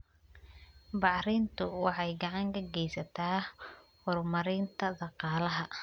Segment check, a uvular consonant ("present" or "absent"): present